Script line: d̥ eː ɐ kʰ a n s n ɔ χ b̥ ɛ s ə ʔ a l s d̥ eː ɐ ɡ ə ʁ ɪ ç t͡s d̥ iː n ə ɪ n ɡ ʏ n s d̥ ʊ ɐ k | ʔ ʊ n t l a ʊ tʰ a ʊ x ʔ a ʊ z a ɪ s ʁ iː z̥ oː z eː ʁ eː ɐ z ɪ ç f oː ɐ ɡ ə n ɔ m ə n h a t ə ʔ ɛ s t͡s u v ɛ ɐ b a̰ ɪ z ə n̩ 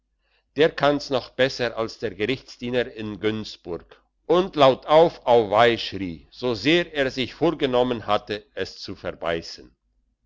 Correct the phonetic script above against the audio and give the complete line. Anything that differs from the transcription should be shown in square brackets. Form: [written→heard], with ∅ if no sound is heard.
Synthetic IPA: d̥ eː ɐ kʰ a n s n ɔ χ b̥ ɛ s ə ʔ a l s d̥ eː ɐ ɡ ə ʁ ɪ ç t͡s d̥ iː n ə ɪ n ɡ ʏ n s [d̥→b̥] ʊ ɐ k | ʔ ʊ n t l a ʊ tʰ a ʊ [x→f] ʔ a ʊ [z→v] a ɪ [s→ʃ] ʁ iː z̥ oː z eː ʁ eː ɐ z ɪ ç f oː ɐ ɡ ə n ɔ m ə n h a t ə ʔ ɛ s t͡s u [v→f] ɛ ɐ b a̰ ɪ [z→s] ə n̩